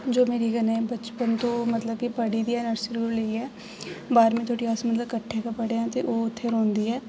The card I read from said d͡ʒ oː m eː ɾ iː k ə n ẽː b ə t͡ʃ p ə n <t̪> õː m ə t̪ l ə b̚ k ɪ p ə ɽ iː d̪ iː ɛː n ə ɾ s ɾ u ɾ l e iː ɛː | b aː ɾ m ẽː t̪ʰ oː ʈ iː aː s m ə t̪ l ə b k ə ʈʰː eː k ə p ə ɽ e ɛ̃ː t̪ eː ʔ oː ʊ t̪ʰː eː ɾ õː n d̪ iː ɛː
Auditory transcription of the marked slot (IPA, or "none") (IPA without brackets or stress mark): t̪